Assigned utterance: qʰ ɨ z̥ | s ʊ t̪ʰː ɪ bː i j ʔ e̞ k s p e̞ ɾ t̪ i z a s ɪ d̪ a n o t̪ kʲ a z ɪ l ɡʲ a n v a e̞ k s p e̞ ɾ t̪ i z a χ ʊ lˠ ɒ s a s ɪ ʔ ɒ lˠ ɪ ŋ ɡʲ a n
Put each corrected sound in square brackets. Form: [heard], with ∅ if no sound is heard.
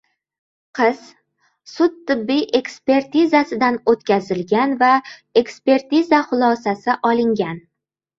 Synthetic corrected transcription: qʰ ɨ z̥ | s ʊ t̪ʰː ɪ bː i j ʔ e̞ k s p e̞ ɾ t̪ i z a s ɪ d̪ a n o t̪ kʲ a z ɪ l ɡʲ a n v a e̞ k s p e̞ ɾ t̪ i z a χ ʊ lˠ ɒ s a s ɪ ʔ ɒ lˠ ɪ ŋ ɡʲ a n